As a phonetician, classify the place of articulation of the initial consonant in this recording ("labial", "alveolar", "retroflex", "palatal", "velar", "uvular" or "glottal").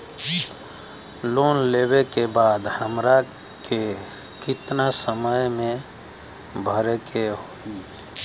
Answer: alveolar